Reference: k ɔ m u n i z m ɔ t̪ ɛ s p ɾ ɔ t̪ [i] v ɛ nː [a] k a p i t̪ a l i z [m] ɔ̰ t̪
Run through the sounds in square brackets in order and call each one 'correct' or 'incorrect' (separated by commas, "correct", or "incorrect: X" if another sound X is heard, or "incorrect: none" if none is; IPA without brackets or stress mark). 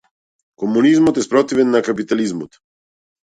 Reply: correct, correct, correct